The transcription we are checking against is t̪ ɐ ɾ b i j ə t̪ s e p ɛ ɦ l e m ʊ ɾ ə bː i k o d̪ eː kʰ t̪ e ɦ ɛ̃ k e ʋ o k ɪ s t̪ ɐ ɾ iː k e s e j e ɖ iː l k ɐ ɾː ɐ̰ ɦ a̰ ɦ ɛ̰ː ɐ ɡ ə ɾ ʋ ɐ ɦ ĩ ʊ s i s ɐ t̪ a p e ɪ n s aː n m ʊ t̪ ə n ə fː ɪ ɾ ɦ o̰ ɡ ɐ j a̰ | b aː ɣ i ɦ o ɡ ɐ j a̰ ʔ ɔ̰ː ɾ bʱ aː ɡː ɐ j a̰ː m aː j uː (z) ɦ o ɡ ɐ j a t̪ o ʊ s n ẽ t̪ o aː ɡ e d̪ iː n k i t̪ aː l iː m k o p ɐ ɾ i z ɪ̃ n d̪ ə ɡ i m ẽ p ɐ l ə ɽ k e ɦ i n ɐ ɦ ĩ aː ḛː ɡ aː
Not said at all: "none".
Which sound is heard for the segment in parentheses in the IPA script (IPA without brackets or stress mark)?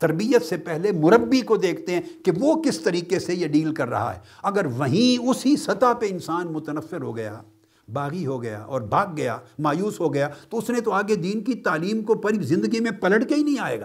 s